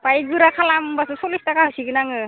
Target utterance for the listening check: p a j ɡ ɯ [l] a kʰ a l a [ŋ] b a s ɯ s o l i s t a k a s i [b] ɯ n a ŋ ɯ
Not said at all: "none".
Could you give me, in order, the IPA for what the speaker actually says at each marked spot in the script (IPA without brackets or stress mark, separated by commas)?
ɾ, m, ɡ